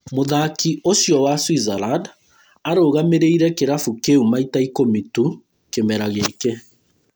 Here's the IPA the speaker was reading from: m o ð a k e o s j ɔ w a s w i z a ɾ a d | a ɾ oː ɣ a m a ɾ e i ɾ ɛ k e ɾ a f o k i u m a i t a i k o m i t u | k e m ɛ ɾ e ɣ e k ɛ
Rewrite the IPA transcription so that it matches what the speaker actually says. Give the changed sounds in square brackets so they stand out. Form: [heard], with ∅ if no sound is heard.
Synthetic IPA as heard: m o ð a k [i] o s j ɔ w a s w i z a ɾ a d | a ɾ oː ɣ a m [e] ɾ e i ɾ ɛ k e ɾ a f [u] k [e] u m a i t a i k o m i t u | k e m ɛ ɾ [a] ɣ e k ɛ

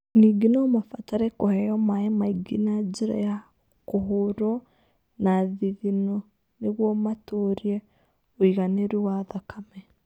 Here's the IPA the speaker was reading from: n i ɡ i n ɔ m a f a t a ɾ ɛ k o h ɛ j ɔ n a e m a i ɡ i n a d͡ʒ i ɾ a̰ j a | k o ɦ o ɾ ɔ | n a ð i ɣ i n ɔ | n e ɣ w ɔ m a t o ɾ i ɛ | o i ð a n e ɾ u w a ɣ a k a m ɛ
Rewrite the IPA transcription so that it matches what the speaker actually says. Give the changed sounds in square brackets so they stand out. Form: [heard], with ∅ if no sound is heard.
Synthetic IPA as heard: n i ɡ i n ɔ m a f a t a ɾ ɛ k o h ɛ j ɔ [m] a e m a i ɡ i n a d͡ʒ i ɾ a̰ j a | k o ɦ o ɾ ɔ | n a ð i [ð] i n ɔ | n e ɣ w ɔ m a t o ɾ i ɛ | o i [ɣ] a n e ɾ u w a [ð] a k a m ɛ

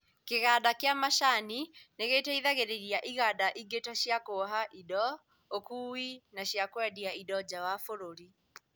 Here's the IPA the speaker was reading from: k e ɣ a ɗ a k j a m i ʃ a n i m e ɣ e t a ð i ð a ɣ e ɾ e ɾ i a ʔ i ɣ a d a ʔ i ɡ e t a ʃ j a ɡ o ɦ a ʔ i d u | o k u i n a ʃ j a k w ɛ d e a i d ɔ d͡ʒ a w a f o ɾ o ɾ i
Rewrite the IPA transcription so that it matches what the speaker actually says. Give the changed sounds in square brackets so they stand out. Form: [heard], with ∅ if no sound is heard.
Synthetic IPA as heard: k e ɣ a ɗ a k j a m [a] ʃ a n i [n] e ɣ e t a [∅] i ð a ɣ e ɾ e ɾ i a ʔ i ɣ a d a ʔ i ɡ e t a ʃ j a [k] o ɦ a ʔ i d [ɔ] | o k u i n a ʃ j a k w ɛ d [i] a i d ɔ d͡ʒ a w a f o ɾ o ɾ i

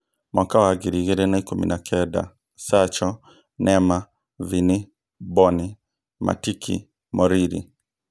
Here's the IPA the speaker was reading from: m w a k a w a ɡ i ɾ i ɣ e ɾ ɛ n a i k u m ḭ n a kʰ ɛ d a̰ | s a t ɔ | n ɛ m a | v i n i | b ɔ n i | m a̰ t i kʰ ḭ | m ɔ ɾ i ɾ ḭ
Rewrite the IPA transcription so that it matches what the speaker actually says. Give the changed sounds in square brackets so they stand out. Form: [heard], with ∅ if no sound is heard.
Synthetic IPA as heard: m w a k a w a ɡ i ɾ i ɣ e ɾ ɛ n a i k u m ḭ n a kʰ ɛ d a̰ | s a [t͡ʃ] ɔ | n ɛ m a | v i n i | b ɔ n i | m a̰ t i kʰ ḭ | m ɔ ɾ i ɾ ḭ

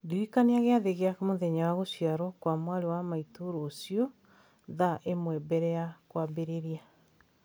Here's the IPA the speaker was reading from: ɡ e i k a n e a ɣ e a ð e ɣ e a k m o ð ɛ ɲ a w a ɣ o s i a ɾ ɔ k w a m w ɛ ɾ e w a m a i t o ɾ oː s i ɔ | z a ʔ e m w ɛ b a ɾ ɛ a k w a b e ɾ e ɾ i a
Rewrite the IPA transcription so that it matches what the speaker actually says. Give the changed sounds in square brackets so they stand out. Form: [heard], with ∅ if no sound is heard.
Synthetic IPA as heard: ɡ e i k a n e a ɣ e a ð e ɣ e a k m o ð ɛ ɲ a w a ɣ o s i a ɾ ɔ k w a m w [a] ɾ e w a m a i t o ɾ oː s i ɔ | [ð] a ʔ e m w ɛ b [ɛ] ɾ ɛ a k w a b e ɾ e ɾ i a

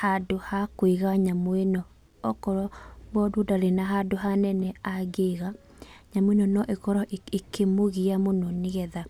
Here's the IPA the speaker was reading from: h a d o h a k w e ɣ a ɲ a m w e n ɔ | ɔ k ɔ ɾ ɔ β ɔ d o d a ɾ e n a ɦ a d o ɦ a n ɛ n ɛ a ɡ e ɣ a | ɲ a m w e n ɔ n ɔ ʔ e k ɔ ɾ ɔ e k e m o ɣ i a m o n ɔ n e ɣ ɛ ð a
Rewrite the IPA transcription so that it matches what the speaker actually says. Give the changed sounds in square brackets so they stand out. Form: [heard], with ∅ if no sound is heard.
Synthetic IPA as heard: h a d o h a k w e ɣ a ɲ a m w e n ɔ | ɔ k ɔ ɾ ɔ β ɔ d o d a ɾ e n a ɦ a d o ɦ a n ɛ n ɛ a ɡ e ɣ a | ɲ a m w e n ɔ n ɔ ʔ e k ɔ ɾ ɔ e k e m o ɣ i a m o n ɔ n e ɣ ɛ ð a

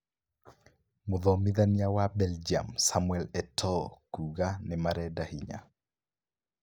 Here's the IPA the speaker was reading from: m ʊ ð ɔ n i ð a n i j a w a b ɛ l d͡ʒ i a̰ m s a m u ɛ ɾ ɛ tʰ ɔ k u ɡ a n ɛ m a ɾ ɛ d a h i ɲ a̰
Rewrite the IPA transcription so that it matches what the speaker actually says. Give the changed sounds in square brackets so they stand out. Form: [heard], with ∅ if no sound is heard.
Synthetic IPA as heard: m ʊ ð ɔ [m] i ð a n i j a w a b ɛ l d͡ʒ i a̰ m s a m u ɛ [l] ɛ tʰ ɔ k u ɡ a n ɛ m a ɾ ɛ d a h i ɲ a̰

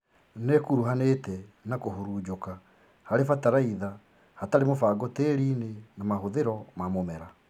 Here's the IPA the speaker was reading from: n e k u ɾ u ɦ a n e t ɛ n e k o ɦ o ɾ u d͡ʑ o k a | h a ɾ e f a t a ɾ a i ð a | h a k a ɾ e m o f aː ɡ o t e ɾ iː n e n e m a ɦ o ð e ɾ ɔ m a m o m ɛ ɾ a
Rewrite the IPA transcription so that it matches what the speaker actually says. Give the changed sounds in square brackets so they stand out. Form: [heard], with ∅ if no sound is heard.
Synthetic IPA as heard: n e k u ɾ u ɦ a n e t ɛ n [a] k o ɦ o ɾ u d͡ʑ o k a | h a ɾ e f a t a ɾ a i ð a | h a [t] a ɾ e m o f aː ɡ o t e ɾ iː n e n [a] m a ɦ o ð e ɾ ɔ m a m o m ɛ ɾ a

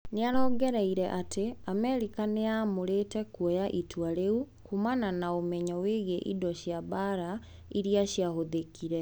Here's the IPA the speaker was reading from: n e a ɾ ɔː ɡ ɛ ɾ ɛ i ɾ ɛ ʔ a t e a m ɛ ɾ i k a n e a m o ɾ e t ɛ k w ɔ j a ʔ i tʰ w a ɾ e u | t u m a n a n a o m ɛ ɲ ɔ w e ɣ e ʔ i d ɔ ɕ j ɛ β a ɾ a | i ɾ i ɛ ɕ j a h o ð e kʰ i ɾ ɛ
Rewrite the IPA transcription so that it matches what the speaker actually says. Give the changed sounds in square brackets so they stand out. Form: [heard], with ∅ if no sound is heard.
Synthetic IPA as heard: n e a ɾ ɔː ɡ ɛ ɾ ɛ i ɾ ɛ ʔ a t e a m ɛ ɾ i k a n e a m o ɾ e t ɛ k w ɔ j a ʔ i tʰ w a ɾ e u | [k] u m a n a n a o m ɛ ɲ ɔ w e ɣ e ʔ i d ɔ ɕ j [a] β a ɾ a | i ɾ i [a] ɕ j a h o ð e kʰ i ɾ ɛ

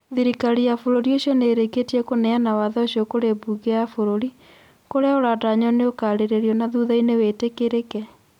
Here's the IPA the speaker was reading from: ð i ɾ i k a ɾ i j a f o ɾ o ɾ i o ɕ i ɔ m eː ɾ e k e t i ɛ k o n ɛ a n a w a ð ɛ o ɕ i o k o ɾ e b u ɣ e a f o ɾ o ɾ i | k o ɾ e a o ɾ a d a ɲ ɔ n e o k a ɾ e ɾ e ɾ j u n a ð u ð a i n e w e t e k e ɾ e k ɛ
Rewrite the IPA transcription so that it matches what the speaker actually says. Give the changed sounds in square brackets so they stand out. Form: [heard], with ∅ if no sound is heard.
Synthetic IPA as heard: ð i ɾ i k a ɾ i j a f o ɾ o ɾ i o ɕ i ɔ [n] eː ɾ e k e t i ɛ k o n ɛ a n a w a ð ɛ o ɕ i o k o ɾ e b u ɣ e a f o ɾ o ɾ i | k o ɾ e a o ɾ a d a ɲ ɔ n e o k a ɾ e ɾ e ɾ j [ɔ] n a ð u ð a i n e w e t e k e ɾ e k ɛ

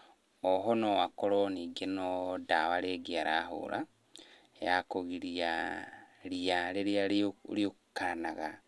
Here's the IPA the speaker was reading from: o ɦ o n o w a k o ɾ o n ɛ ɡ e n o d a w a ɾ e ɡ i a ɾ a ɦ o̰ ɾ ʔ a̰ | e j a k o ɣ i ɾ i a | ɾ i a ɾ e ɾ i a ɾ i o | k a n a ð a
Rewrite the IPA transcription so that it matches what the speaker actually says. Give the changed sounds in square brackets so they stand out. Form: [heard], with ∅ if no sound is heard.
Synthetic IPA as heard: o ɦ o n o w a k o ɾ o n [i] ɡ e n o d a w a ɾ e ɡ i a ɾ a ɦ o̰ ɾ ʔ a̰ | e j a k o ɣ i ɾ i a | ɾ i a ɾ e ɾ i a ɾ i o | k a n a [ɣ] a

